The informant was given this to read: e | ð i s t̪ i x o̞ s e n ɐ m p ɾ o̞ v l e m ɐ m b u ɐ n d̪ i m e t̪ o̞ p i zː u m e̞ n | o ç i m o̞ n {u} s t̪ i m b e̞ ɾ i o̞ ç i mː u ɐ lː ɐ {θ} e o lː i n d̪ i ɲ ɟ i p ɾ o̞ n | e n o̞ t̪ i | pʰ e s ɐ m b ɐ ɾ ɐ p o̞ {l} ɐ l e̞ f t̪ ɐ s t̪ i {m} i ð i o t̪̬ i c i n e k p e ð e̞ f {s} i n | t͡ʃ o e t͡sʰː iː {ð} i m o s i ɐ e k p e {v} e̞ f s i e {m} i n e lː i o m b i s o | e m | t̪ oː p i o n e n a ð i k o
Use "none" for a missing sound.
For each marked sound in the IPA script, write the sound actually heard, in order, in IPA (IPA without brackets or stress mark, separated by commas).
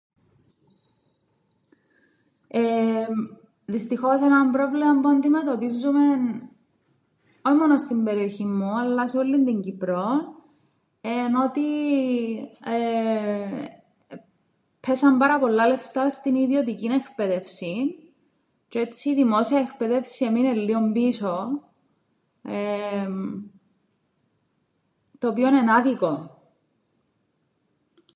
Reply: o, s, lː, n, s, ð, ð, m